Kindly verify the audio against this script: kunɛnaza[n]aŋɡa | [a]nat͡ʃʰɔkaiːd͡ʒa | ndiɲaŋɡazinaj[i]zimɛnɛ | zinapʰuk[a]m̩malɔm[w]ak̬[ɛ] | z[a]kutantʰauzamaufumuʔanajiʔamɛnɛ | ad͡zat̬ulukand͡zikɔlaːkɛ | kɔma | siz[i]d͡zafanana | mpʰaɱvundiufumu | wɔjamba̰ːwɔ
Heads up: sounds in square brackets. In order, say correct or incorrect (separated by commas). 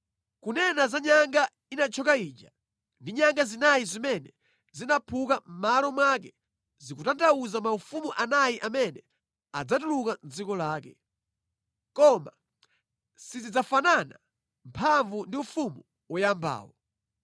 incorrect, incorrect, correct, correct, correct, correct, incorrect, correct